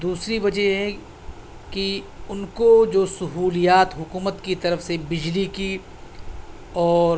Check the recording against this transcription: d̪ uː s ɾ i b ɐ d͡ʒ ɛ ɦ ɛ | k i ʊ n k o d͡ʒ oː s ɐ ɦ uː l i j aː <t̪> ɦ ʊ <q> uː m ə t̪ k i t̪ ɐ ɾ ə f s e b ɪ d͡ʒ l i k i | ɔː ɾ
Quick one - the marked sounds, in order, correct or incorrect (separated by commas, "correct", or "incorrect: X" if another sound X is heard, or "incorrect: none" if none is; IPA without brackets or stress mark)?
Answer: correct, incorrect: k